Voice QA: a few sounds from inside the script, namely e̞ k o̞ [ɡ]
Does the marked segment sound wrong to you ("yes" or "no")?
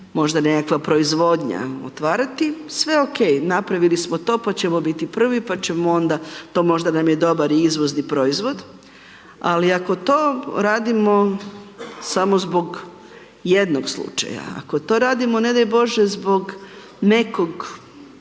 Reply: no